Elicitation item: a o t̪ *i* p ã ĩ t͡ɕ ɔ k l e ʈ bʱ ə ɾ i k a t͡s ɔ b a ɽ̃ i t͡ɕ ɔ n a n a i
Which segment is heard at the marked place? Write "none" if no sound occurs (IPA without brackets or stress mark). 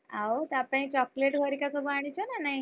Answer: a